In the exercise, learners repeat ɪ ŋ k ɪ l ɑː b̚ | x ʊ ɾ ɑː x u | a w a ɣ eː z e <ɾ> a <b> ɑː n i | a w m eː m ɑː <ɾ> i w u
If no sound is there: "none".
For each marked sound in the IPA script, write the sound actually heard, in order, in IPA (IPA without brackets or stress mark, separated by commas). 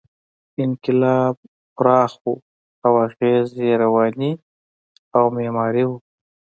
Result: ɾ, w, ɾ